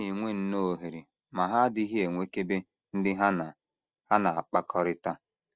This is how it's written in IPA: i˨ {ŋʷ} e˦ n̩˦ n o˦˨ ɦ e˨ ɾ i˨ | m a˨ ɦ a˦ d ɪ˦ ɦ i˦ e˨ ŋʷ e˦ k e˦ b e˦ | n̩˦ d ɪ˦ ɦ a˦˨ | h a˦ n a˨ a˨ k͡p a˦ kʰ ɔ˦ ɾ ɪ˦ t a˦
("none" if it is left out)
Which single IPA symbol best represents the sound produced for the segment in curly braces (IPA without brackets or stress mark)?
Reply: ŋʷ